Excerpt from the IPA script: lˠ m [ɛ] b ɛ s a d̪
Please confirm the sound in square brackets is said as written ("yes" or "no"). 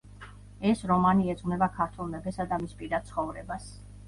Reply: yes